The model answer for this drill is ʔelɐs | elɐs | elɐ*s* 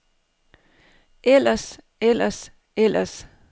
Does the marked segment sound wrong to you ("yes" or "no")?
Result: no